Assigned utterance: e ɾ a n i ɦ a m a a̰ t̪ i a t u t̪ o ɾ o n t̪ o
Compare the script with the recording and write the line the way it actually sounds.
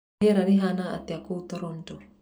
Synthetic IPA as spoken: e ɾ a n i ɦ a n a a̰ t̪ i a k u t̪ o ɾ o n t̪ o